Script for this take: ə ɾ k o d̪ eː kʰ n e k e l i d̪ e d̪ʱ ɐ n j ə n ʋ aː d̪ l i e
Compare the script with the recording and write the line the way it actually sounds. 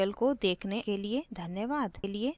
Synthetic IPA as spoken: ə l k o d̪ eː kʰ n e k e l i e d̪ʱ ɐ n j ə ʋ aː d̪ l i e